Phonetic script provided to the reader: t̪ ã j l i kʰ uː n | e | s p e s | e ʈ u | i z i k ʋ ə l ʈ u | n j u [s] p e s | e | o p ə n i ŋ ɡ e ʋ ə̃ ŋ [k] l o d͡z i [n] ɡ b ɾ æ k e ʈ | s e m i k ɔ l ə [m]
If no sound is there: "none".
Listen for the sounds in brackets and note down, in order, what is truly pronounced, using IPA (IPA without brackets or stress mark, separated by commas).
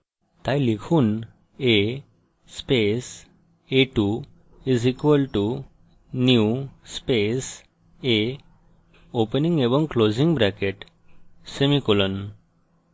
s, k, ŋ, n